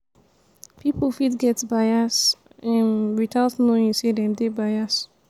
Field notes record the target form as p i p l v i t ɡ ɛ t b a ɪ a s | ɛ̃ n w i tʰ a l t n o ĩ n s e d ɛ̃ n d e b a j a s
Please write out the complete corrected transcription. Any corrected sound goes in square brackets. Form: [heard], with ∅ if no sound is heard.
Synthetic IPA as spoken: p i p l [f] i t ɡ ɛ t b a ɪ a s | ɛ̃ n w i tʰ a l t n o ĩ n s e d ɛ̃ [m] d e b a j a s